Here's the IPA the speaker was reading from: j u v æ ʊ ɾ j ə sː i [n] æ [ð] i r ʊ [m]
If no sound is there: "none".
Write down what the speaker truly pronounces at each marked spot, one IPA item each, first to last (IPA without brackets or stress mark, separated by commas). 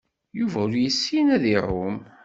n, ð, m